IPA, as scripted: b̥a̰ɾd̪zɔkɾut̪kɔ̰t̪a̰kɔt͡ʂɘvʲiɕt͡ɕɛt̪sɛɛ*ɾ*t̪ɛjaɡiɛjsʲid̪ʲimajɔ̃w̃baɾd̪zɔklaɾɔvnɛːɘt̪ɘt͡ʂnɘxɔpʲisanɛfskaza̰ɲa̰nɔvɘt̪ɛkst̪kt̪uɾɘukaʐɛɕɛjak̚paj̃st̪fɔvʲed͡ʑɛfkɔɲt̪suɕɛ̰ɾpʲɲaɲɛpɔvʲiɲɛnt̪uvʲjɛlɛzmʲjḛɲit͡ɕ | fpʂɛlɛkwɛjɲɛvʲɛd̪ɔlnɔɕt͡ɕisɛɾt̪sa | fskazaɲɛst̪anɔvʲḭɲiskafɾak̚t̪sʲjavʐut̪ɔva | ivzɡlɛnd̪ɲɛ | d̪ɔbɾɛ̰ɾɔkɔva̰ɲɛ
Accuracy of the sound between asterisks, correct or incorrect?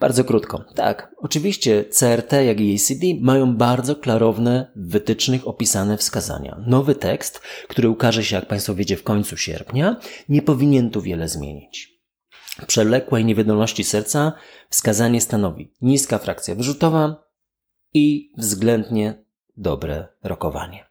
correct